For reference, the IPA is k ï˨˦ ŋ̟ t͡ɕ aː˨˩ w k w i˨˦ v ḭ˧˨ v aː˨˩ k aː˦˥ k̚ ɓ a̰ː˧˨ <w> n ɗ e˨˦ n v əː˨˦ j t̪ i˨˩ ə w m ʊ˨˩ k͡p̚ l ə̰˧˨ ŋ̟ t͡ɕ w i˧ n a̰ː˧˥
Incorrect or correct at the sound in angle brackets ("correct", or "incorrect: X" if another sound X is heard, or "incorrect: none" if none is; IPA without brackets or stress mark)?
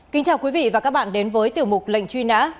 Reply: incorrect: none